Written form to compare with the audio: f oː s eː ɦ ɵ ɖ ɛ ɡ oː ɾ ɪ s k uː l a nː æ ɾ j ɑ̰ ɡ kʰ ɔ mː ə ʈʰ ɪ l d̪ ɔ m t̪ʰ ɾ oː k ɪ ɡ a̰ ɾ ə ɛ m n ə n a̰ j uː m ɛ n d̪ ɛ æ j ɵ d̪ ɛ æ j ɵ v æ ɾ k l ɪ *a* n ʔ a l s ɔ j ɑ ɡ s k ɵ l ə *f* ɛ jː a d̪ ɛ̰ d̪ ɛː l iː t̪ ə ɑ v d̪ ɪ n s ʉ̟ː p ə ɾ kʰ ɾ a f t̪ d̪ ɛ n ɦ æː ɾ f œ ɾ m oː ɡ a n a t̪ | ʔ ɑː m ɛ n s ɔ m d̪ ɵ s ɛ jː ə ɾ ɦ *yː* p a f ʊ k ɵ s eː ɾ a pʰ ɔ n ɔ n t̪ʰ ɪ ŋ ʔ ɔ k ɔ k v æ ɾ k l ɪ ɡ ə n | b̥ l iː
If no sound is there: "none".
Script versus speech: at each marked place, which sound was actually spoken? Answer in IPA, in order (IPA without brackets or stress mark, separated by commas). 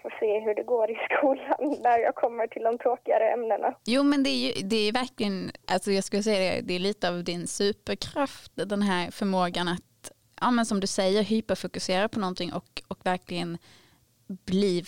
ə, s, yː